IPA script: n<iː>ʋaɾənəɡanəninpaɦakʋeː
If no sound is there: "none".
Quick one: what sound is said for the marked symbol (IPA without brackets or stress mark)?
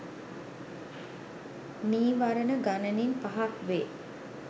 iː